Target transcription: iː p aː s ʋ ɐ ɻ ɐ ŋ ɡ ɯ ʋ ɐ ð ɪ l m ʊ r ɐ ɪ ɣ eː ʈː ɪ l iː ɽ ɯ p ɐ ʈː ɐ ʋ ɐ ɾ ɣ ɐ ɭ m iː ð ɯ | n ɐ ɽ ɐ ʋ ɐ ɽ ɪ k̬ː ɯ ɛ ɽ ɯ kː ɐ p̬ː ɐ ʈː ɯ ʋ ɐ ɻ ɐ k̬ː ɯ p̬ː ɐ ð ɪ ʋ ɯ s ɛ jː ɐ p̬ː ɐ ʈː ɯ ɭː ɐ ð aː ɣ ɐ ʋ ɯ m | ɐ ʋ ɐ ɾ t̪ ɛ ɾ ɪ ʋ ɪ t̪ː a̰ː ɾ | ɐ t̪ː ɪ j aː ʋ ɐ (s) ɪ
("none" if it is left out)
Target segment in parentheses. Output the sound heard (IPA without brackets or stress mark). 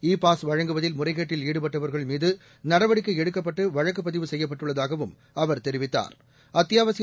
s